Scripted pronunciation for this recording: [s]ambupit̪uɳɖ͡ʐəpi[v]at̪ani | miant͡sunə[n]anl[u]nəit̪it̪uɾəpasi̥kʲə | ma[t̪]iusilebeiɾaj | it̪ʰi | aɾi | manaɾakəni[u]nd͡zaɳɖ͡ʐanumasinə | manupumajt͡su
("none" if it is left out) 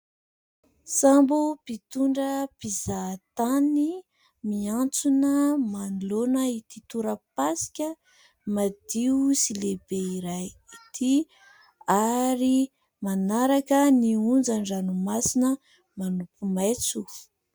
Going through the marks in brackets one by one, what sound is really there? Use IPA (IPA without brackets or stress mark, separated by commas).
s, z, m, o, d̪, u